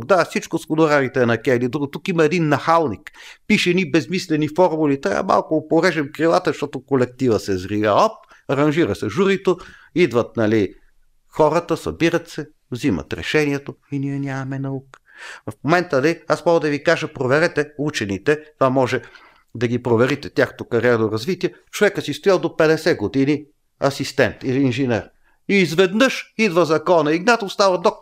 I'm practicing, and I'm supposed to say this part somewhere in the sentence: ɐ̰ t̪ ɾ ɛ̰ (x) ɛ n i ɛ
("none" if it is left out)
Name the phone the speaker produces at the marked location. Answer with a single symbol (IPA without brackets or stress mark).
ʃ